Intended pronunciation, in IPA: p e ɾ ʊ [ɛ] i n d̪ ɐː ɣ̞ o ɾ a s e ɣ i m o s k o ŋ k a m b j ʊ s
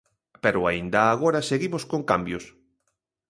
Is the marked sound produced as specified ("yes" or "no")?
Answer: no